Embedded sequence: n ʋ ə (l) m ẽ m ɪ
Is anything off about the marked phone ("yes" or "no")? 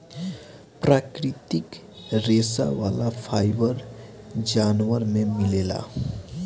yes